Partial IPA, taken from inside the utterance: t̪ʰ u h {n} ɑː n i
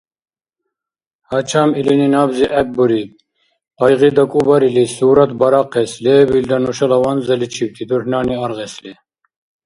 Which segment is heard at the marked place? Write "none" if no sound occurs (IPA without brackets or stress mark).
n